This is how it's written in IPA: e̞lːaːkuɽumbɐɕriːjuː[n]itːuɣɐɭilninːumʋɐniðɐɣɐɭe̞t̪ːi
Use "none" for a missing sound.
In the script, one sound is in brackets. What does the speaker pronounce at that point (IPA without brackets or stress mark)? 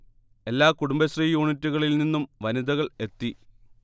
ɳ